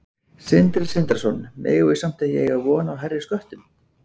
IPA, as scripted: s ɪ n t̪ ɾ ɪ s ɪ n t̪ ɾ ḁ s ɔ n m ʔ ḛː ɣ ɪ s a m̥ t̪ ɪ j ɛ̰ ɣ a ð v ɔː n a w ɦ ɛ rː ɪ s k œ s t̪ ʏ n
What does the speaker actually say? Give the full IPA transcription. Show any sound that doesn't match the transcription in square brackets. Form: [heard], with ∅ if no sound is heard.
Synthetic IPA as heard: s ɪ n t̪ ɾ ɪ s ɪ n t̪ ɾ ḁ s ɔ n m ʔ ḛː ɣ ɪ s a m̥ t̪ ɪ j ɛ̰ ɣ a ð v ɔː n a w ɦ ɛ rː ɪ s k œ [h] t̪ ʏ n